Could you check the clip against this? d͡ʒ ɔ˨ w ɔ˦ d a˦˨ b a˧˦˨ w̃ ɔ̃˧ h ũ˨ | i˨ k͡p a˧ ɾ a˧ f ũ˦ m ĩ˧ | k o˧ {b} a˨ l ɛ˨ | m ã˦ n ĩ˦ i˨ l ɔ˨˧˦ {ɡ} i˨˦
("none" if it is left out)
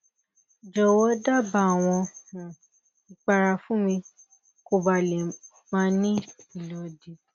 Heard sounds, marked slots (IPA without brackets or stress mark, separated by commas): b, d